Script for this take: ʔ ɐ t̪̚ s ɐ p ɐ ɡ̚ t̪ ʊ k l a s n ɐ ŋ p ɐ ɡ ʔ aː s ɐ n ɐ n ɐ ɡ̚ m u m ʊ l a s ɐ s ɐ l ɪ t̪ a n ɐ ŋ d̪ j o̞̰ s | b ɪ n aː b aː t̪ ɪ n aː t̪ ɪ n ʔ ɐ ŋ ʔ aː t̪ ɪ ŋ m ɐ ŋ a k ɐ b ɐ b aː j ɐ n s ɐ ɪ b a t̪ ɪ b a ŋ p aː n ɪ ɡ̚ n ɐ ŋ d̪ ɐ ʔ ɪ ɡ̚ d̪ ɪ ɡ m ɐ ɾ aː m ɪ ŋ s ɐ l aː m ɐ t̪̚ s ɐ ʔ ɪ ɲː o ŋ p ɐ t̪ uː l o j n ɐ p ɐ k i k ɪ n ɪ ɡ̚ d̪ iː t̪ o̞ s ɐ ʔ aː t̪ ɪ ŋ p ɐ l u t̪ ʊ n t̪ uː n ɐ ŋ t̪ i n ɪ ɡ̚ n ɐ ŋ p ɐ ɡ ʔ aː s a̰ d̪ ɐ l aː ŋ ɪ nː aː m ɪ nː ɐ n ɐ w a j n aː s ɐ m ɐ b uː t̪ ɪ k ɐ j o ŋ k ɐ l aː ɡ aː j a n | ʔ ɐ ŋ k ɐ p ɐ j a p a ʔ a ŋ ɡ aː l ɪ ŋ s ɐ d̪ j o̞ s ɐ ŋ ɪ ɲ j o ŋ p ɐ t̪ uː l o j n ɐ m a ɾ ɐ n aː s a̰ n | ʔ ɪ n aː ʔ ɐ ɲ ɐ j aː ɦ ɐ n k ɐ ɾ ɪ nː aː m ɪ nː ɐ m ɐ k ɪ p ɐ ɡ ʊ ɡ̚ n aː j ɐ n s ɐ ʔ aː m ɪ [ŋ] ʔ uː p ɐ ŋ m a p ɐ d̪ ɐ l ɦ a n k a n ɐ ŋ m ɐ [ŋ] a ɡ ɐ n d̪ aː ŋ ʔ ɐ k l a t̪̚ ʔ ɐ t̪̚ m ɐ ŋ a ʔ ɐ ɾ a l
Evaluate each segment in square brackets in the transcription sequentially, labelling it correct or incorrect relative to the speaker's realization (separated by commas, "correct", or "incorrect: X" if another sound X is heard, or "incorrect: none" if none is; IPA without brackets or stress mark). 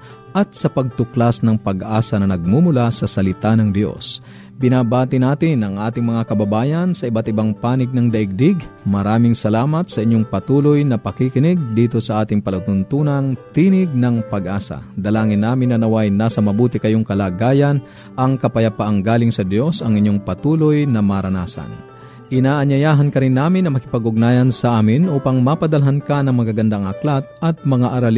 incorrect: n, incorrect: ɡ